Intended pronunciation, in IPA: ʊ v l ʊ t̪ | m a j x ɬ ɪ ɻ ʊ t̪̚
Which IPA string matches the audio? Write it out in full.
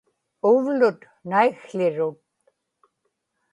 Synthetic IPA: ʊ v l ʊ t̪ | n a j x ɬ ɪ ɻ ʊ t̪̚